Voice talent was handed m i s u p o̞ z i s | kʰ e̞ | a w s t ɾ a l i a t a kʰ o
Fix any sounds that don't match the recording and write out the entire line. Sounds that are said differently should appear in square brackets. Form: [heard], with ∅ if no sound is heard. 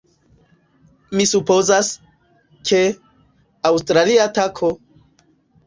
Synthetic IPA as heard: m i s u p o̞ z [a] s | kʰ e̞ | a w s t ɾ a l i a t a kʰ o